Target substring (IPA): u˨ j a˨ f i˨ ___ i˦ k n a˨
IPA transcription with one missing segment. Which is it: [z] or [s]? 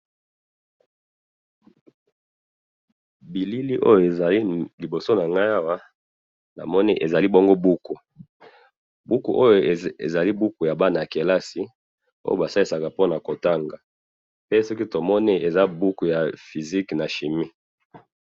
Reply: z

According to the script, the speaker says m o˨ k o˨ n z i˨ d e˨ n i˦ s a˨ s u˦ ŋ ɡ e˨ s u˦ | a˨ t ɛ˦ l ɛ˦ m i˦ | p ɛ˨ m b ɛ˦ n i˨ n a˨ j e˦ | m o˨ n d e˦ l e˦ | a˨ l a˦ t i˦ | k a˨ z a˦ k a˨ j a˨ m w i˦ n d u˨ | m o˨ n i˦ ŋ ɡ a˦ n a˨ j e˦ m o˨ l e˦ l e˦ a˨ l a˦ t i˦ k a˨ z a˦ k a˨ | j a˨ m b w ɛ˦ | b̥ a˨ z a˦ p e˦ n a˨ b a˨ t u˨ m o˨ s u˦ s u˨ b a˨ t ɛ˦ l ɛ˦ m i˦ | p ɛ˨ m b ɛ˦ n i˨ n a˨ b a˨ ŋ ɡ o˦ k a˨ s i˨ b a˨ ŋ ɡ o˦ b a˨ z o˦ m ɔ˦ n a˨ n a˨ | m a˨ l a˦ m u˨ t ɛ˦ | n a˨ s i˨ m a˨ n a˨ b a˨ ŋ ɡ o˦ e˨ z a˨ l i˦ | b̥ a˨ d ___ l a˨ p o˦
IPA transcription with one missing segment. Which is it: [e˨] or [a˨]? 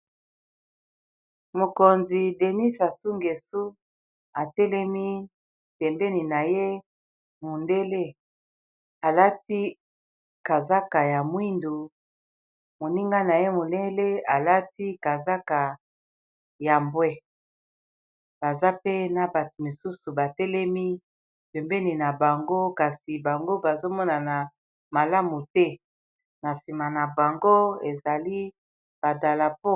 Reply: a˨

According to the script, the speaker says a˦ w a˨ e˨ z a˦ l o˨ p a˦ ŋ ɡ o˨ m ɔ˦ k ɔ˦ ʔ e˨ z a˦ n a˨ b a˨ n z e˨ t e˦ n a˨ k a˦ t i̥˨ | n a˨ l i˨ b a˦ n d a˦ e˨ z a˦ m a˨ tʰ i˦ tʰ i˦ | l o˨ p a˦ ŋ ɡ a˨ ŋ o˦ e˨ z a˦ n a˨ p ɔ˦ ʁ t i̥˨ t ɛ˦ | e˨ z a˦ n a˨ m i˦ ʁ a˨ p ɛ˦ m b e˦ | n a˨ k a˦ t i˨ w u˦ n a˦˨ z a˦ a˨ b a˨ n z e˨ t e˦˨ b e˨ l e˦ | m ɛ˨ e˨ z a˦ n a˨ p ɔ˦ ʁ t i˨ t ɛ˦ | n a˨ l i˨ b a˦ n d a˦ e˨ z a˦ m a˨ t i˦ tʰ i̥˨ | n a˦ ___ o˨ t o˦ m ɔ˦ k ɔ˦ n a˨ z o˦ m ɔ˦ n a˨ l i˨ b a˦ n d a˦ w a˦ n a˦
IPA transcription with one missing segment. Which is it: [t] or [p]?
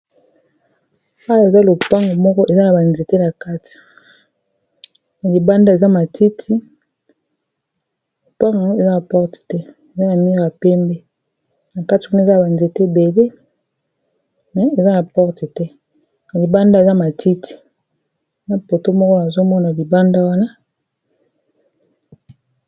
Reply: p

